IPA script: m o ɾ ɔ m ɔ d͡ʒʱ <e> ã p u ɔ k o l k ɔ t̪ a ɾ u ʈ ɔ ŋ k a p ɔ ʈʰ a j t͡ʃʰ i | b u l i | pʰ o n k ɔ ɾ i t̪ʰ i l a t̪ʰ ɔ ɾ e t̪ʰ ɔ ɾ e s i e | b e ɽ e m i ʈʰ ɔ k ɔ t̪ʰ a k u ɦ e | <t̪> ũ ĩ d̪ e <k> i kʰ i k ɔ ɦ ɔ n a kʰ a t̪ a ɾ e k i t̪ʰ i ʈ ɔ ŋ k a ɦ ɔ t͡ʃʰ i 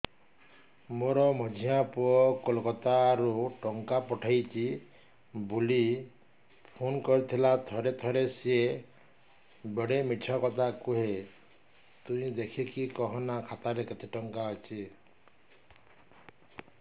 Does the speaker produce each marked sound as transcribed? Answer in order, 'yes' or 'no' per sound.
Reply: no, yes, no

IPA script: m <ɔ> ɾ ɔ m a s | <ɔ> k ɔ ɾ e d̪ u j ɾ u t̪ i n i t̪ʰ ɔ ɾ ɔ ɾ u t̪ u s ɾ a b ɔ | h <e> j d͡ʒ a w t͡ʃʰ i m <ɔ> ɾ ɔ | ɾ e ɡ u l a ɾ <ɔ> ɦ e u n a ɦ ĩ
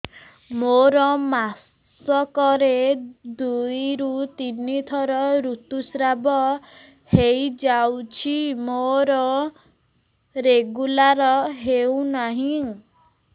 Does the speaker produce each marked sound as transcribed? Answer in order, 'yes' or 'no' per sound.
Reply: no, yes, yes, no, yes

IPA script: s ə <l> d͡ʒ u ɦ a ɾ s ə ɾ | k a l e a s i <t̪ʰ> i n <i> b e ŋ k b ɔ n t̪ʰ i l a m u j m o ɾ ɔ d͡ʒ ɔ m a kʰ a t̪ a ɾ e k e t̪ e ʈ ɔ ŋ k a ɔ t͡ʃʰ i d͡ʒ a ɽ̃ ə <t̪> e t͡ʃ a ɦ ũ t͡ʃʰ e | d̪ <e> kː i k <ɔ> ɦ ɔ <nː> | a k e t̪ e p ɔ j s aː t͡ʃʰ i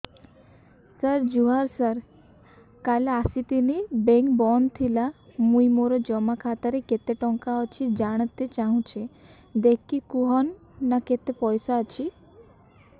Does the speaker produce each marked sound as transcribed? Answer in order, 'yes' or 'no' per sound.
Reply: no, no, yes, yes, yes, no, yes

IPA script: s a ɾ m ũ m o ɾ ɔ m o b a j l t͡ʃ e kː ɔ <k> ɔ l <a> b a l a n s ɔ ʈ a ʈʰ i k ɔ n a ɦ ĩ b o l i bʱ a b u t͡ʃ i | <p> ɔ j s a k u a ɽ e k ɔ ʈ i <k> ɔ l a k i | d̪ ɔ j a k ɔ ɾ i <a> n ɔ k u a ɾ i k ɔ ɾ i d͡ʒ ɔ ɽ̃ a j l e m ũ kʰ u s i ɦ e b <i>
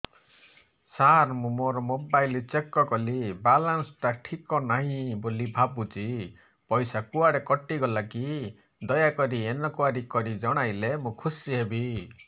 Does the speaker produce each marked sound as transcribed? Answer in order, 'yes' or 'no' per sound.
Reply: yes, no, yes, no, no, yes

